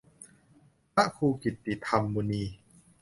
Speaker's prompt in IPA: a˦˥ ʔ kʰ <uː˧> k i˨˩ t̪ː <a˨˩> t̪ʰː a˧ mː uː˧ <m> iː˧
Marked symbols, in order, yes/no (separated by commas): yes, no, no